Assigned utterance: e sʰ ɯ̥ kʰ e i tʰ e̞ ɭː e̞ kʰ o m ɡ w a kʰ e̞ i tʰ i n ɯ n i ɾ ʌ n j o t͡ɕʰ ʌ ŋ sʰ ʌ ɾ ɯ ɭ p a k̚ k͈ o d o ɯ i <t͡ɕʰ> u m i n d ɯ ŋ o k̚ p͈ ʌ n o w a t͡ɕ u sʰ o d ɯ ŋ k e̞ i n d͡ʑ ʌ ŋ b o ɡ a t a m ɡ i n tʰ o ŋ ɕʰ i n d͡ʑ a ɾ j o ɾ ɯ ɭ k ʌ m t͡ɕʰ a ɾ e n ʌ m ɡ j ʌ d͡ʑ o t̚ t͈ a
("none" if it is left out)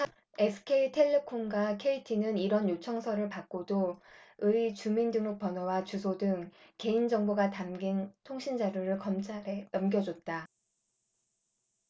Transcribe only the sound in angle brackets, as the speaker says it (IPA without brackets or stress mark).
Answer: t͡ɕ